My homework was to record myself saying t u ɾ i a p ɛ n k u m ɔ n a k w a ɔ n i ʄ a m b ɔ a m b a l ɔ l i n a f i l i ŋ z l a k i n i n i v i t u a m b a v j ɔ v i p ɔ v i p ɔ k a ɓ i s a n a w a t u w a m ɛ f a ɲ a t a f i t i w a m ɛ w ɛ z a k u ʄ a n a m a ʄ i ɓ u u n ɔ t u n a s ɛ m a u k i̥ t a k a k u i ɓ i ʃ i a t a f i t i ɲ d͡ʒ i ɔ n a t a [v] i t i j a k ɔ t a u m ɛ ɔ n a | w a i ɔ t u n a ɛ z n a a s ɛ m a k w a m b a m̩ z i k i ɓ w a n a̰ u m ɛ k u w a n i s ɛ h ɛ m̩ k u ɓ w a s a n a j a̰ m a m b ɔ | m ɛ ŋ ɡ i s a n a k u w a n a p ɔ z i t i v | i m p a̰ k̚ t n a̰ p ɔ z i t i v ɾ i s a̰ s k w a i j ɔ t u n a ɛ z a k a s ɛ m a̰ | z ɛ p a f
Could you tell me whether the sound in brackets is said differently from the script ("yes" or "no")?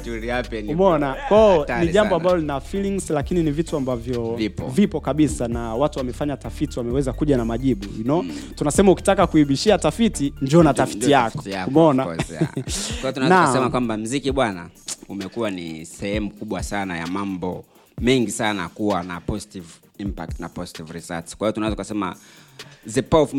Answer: yes